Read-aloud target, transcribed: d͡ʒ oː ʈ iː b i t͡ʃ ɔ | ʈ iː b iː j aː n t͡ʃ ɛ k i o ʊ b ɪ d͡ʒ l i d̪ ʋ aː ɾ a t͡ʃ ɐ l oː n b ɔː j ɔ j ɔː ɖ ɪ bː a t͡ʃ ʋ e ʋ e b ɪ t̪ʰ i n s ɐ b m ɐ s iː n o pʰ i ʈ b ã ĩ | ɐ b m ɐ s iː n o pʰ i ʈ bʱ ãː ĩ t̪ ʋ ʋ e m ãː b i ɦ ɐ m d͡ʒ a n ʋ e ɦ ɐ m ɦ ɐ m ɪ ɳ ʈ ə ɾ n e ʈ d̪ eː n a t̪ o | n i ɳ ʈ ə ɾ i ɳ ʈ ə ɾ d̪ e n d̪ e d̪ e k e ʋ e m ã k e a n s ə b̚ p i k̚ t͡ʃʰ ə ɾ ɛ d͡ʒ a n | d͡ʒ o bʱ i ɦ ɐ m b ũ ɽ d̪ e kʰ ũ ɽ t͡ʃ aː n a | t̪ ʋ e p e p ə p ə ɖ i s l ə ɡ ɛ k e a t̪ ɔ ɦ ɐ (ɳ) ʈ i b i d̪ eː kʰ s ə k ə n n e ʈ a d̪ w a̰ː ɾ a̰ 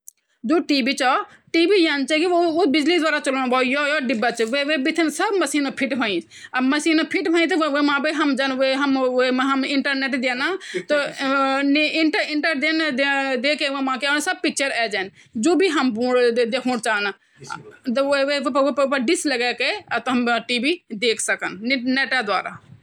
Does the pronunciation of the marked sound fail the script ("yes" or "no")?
yes